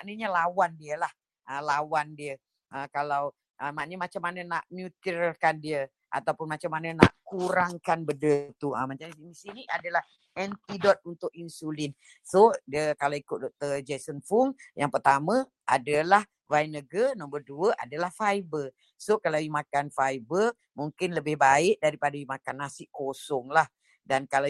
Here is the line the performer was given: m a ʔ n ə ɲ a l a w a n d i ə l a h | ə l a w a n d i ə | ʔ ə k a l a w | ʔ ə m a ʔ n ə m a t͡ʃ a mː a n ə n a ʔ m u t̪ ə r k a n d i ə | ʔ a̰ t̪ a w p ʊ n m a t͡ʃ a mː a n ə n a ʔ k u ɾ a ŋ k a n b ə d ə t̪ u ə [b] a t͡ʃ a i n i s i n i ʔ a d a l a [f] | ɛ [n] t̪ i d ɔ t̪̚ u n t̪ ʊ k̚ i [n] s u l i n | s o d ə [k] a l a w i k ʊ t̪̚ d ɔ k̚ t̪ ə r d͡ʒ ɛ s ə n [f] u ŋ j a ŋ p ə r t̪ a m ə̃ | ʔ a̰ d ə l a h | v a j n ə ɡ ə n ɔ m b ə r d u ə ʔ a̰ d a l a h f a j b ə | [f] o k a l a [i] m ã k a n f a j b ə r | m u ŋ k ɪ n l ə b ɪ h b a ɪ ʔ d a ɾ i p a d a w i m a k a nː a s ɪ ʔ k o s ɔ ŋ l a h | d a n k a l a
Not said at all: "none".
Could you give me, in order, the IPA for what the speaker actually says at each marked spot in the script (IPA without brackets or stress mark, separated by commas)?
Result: m, h, n, n, k, f, s, i